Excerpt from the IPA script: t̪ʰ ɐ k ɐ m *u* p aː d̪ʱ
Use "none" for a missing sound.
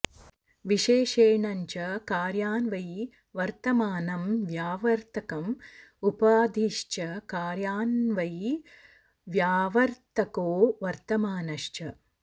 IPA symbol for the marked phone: u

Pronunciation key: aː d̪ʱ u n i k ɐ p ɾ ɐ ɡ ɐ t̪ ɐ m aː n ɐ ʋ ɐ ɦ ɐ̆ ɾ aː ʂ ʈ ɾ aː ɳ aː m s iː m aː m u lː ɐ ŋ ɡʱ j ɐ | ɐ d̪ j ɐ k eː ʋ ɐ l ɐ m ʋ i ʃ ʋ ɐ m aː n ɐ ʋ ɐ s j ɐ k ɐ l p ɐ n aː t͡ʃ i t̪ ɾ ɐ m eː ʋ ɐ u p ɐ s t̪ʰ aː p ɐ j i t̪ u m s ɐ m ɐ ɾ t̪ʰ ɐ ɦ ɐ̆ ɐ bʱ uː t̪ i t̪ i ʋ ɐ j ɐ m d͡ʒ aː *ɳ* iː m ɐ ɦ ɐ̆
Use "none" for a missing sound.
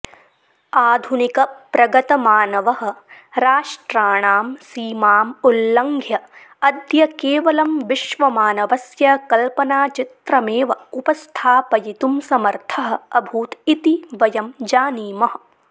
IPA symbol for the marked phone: n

